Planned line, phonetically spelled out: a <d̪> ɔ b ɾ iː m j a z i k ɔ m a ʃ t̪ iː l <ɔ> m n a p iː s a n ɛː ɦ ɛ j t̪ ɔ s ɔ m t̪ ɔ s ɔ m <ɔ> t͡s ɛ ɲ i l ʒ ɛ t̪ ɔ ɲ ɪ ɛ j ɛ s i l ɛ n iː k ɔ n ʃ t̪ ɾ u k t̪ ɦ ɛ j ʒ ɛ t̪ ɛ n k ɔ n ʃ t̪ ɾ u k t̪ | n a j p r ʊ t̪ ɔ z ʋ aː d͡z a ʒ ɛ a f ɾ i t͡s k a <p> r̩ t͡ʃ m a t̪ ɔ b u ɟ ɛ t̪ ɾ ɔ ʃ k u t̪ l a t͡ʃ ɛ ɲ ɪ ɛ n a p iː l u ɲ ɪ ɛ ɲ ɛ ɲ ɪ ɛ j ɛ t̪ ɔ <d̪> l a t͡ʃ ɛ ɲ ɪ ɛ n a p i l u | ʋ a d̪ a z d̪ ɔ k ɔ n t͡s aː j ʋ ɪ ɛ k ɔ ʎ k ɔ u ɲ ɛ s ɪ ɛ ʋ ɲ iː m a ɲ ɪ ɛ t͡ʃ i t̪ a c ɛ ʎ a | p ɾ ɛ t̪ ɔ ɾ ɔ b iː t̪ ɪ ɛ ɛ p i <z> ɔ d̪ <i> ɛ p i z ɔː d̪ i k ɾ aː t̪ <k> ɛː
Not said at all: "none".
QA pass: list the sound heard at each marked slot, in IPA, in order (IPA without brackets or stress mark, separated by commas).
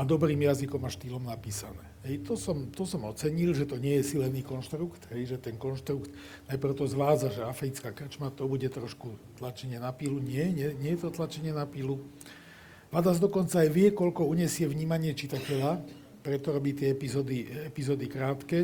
d̪, ɔ, ɔ, k, t̪, z, i, k